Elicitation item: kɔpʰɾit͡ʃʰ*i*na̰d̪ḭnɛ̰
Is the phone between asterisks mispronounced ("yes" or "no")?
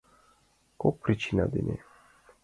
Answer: no